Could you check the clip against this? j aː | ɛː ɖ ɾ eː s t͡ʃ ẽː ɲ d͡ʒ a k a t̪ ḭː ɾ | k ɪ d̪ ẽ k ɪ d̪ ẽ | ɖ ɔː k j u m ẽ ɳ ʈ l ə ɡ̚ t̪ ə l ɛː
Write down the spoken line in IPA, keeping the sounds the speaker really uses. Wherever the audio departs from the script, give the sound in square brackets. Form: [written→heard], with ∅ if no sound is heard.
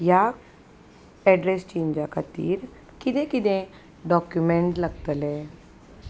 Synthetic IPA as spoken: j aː | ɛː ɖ ɾ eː s t͡ʃ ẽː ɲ d͡ʒ a k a t̪ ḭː ɾ | k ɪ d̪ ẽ k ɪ d̪ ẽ | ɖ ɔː k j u m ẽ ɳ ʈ l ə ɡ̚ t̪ ə l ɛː